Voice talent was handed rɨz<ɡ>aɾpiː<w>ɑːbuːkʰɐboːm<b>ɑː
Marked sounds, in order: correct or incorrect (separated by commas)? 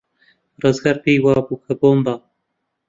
correct, correct, correct